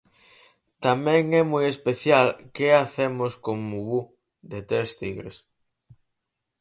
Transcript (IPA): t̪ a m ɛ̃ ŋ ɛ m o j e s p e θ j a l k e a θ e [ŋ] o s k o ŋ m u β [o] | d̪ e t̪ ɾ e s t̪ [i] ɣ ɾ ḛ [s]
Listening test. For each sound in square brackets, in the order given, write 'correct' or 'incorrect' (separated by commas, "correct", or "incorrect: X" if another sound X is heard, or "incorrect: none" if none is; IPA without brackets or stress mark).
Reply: incorrect: m, incorrect: u, correct, correct